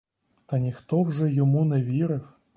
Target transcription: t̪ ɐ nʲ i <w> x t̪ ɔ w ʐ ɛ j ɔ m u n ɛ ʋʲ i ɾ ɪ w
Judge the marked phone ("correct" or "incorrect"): incorrect